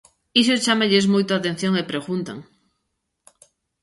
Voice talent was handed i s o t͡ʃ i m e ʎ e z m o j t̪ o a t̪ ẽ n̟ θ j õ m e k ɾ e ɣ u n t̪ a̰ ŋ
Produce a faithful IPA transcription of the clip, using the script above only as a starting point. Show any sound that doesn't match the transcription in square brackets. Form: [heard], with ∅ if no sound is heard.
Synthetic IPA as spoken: i s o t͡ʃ [a] m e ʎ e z m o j t̪ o a t̪ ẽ n̟ θ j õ [ŋ] e [p] ɾ e ɣ u n t̪ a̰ ŋ